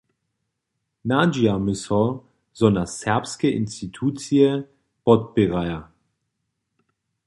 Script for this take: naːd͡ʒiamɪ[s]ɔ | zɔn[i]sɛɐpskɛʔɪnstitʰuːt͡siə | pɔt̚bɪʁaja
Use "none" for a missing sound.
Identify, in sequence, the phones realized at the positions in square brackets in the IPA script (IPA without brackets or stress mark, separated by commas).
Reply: s, a